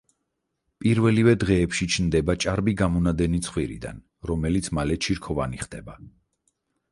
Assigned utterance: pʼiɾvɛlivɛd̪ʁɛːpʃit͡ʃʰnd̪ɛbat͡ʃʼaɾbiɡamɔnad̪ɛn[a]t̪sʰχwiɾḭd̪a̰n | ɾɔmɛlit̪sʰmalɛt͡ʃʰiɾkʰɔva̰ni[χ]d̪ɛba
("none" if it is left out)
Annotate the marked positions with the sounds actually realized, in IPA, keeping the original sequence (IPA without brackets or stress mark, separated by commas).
i, χ